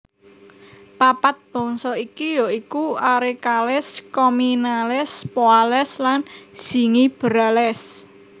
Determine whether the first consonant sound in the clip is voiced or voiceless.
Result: voiceless